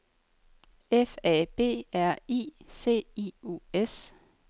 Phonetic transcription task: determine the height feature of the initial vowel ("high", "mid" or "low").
mid